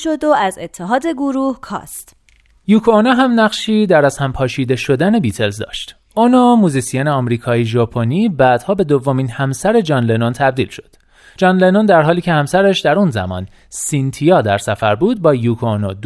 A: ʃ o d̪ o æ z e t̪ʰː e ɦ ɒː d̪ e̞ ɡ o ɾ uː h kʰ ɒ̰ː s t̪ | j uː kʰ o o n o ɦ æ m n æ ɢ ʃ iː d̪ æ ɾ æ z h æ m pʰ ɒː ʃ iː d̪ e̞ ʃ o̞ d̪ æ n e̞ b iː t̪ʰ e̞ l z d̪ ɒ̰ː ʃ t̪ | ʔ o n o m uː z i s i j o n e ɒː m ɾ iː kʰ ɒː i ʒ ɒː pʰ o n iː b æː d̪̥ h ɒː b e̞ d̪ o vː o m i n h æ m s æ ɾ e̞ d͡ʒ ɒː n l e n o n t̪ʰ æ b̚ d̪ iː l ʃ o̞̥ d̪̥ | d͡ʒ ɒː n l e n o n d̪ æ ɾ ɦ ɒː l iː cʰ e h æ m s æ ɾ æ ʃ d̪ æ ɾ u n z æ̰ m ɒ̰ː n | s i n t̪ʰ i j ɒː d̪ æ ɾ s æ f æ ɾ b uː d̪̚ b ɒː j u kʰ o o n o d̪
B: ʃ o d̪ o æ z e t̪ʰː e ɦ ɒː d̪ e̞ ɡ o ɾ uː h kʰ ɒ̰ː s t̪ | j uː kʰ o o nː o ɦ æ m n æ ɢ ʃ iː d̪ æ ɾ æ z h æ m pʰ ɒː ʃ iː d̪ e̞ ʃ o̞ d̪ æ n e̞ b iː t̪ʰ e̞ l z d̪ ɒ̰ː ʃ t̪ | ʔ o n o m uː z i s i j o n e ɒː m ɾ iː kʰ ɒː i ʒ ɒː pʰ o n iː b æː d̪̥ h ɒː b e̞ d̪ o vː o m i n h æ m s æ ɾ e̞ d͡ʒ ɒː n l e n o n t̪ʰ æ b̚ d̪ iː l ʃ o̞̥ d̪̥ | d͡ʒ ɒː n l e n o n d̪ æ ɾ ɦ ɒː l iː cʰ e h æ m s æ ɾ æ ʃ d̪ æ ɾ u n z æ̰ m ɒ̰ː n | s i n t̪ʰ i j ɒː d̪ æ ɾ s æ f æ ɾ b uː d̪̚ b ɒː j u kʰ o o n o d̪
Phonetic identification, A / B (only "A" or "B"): A